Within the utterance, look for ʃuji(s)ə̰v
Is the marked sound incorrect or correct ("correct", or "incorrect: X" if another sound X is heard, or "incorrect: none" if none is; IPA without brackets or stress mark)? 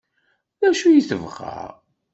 incorrect: θ